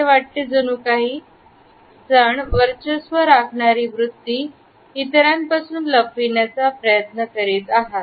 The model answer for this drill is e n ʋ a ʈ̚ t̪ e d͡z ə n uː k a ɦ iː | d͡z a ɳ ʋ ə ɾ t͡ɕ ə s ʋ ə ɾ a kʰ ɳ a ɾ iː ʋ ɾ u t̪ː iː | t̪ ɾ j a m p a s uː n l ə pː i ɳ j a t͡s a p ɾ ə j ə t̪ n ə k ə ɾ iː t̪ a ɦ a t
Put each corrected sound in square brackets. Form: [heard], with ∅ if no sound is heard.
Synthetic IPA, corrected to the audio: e [∅] ʋ a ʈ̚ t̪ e d͡z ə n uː k a ɦ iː | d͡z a ɳ ʋ ə ɾ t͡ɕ ə s ʋ ə ɾ a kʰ ɳ a ɾ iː ʋ ɾ u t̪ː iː | t̪ ɾ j a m p a s uː n l ə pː i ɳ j a t͡s a p ɾ ə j ə t̪ n ə k ə ɾ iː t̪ a ɦ a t